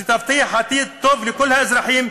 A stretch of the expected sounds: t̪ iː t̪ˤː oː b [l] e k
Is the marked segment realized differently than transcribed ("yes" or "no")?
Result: no